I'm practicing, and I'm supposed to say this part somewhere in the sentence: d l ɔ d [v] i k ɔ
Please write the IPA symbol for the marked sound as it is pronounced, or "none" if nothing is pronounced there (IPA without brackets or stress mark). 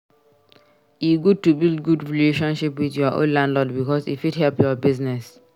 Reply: b